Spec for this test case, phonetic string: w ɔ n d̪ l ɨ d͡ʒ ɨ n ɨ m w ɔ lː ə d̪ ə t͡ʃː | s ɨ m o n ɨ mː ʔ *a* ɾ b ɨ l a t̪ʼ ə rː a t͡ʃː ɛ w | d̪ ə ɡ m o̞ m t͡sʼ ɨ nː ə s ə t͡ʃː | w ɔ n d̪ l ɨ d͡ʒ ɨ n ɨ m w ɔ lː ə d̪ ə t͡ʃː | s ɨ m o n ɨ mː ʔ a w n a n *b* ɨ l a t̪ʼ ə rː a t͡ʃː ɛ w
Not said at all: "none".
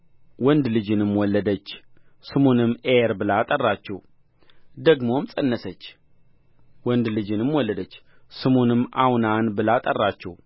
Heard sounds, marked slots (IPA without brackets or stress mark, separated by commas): e, b